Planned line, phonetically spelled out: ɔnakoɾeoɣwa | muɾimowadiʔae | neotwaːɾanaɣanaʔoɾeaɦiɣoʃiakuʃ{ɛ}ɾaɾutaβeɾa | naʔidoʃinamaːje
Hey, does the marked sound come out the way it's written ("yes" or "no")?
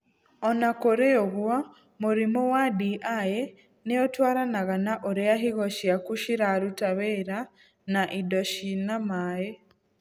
no